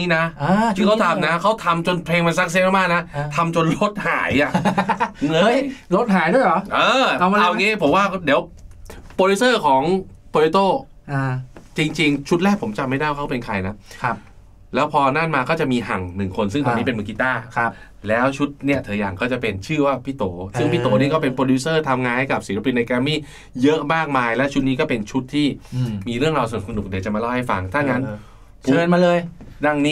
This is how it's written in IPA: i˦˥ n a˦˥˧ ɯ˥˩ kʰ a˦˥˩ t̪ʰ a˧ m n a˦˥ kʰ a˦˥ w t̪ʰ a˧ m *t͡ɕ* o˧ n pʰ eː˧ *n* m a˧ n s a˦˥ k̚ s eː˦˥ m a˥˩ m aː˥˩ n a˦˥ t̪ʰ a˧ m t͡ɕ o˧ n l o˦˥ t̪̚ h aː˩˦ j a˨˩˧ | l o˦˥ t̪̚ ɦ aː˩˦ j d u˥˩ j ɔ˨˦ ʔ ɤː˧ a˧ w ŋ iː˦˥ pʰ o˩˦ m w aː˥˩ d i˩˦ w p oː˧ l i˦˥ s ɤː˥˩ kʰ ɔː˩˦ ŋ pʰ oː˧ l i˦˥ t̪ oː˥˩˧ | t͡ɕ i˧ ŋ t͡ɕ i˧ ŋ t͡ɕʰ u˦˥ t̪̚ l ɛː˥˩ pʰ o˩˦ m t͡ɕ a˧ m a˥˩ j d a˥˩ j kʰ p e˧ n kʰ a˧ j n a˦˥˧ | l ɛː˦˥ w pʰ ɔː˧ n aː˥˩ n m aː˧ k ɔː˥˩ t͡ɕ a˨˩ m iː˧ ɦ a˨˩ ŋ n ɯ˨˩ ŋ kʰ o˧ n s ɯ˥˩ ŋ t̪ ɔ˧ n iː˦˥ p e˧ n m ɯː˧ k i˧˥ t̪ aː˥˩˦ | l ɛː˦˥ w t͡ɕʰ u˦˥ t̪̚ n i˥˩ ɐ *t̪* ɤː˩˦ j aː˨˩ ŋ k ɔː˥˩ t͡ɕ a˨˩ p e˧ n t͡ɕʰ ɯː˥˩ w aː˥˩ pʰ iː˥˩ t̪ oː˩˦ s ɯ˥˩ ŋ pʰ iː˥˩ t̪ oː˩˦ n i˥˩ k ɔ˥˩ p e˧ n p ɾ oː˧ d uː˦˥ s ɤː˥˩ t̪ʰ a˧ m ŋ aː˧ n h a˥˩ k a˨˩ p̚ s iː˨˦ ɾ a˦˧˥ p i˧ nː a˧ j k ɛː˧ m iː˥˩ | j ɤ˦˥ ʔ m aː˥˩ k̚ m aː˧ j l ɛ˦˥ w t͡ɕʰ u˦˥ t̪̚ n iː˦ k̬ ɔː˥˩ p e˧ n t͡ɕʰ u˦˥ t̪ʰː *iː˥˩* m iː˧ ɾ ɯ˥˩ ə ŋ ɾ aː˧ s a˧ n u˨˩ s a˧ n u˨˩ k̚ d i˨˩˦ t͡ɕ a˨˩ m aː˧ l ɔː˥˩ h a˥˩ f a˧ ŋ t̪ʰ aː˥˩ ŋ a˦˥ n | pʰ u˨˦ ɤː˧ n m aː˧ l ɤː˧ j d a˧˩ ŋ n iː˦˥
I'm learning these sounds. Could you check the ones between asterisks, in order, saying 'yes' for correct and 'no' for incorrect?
yes, no, no, yes

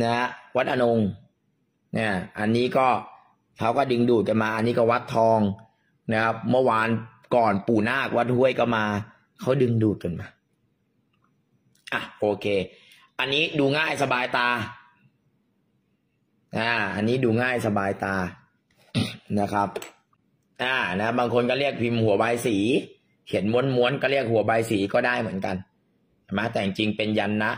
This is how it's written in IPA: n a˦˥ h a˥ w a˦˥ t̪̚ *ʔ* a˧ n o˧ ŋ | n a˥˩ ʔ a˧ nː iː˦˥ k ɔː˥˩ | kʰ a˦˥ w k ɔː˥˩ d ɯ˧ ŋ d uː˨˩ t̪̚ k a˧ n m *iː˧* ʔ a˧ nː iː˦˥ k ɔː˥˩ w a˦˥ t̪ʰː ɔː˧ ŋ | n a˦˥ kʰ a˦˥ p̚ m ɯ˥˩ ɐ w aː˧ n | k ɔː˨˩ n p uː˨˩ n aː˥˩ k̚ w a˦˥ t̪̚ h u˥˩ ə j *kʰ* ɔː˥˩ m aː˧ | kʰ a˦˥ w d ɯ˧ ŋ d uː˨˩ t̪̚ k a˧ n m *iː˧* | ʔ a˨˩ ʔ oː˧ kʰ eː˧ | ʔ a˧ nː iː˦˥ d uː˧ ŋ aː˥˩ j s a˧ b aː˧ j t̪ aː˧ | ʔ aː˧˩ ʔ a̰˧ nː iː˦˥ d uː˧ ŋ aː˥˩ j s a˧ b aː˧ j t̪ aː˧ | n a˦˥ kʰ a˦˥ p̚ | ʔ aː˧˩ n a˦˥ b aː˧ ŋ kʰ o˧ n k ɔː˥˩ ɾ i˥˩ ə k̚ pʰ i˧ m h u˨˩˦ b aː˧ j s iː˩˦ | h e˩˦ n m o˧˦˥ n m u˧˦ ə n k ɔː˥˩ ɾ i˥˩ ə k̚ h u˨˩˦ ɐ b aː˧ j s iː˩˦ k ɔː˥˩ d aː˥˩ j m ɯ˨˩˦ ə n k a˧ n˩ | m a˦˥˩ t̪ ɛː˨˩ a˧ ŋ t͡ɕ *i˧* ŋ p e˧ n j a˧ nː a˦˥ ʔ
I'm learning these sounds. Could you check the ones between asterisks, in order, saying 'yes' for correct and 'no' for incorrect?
yes, no, no, no, yes

